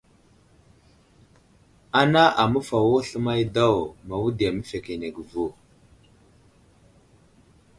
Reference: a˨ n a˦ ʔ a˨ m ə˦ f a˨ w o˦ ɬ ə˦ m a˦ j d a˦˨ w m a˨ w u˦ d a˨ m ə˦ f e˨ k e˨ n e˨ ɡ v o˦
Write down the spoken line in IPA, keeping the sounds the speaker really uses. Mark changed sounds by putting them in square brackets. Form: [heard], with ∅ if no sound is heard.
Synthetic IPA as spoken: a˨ n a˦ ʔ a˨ m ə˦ f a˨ w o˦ ɬ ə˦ m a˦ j d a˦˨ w m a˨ w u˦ d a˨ m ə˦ f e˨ k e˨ n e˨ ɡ v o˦

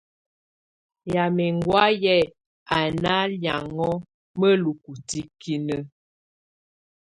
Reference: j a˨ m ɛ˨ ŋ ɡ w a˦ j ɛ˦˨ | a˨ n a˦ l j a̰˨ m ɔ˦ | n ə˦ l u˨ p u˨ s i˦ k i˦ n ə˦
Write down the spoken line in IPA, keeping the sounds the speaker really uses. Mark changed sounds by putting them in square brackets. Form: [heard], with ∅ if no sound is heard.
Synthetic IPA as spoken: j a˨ m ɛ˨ ŋ ɡ w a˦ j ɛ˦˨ | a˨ n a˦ l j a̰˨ [ŋ] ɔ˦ | [m] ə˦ l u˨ [k] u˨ [t] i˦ k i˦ n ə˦

